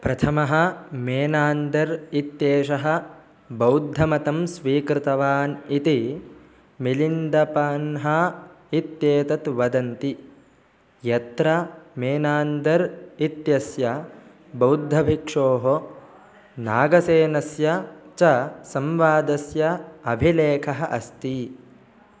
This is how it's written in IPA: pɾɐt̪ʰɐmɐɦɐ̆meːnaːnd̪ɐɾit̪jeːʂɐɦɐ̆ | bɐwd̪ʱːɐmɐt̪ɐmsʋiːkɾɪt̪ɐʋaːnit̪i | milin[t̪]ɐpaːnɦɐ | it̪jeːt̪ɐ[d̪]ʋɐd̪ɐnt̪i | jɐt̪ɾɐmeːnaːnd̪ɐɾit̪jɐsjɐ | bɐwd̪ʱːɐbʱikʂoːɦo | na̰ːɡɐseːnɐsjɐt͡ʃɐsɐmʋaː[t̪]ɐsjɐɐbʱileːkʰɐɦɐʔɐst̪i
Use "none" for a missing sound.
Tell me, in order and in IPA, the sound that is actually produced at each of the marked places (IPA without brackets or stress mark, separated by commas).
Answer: d̪, t̪, d̪